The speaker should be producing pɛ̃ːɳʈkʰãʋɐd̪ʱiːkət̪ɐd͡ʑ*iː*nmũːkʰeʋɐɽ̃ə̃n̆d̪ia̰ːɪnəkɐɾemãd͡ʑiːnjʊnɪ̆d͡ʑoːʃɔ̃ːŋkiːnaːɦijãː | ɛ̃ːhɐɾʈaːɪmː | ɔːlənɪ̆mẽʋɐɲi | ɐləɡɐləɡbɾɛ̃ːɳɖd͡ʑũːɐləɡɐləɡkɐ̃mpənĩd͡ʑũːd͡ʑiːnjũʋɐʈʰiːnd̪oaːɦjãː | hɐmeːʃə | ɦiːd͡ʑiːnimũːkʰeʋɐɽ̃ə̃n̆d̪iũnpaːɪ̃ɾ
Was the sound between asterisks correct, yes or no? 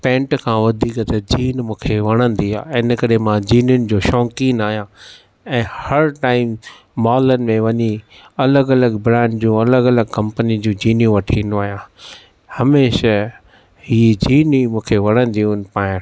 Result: yes